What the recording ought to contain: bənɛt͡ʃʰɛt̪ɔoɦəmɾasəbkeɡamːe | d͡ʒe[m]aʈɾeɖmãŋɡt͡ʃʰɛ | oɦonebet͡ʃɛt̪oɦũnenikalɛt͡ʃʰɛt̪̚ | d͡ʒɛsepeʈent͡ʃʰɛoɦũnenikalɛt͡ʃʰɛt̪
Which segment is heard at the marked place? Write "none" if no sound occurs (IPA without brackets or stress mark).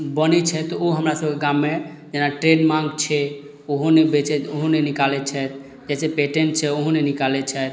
n